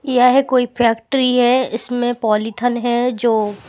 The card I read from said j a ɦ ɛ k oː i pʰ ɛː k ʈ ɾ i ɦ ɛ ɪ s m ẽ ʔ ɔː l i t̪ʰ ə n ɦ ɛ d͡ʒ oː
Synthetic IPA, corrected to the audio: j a ɦ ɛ k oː i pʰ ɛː k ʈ ɾ i ɦ ɛ ɪ s m ẽ p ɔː l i t̪ʰ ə n ɦ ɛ d͡ʒ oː